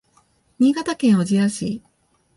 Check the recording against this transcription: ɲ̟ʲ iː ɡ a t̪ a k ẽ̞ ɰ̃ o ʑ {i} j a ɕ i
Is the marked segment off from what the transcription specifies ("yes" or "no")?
no